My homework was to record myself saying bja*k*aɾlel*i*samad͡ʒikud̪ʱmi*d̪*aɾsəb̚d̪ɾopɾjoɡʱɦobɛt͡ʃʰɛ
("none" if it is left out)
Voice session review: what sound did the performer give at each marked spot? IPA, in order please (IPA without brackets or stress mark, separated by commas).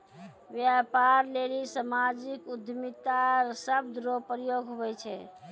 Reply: p, i, t̪